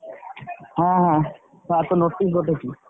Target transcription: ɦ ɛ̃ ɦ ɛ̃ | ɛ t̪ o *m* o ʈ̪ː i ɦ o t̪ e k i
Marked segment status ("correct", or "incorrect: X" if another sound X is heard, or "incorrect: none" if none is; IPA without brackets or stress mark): incorrect: n